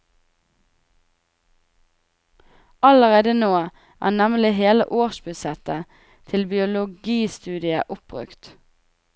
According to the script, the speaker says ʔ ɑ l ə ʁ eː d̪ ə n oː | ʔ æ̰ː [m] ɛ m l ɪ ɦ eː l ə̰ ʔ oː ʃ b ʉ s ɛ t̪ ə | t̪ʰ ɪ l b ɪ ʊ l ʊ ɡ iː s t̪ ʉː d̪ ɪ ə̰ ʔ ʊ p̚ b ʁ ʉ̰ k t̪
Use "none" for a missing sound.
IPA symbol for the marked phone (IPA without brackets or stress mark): n